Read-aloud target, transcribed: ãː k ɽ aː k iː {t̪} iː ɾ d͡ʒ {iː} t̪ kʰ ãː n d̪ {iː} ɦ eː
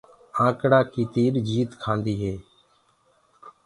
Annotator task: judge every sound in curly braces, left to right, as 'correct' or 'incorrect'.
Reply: correct, correct, correct

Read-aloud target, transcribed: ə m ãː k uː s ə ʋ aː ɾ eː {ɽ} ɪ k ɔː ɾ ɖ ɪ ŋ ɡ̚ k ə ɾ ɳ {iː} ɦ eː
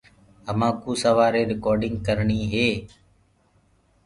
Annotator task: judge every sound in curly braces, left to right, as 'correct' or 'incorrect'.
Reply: incorrect: ɾ, correct

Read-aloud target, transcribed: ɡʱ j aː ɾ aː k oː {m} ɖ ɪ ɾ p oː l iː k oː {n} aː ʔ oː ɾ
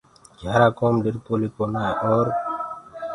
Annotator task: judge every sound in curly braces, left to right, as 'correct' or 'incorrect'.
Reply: correct, correct

